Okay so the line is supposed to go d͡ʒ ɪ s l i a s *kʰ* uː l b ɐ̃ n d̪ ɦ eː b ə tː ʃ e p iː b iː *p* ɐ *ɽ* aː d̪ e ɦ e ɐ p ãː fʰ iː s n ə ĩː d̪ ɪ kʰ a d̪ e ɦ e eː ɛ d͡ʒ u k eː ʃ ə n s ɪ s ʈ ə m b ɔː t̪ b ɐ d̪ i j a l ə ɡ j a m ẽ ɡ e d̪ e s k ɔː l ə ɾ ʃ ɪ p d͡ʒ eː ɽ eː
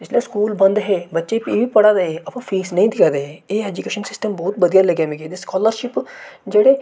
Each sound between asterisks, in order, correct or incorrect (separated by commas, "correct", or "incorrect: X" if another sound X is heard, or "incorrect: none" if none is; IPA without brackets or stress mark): incorrect: k, correct, correct